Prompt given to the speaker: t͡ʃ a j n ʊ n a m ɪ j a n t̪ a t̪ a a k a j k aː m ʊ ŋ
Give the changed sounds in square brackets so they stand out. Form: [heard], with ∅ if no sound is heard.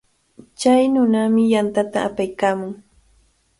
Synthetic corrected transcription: t͡ʃ a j n ʊ n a m ɪ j a n t̪ a t̪ a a [p] a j k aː m ʊ ŋ